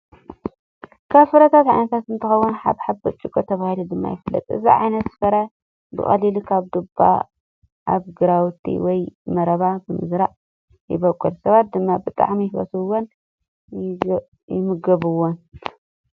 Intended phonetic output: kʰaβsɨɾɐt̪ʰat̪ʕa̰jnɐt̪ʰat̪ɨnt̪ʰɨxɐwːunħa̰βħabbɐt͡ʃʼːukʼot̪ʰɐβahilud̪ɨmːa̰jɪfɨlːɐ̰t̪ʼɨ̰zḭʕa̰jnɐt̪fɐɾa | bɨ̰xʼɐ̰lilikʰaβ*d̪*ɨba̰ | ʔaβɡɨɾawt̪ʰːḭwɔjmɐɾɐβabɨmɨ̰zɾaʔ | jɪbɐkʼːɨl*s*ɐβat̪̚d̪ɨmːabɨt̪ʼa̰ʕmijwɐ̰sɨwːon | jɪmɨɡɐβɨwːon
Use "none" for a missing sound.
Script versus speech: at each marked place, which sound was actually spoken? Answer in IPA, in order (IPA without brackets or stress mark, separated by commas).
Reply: d̪, s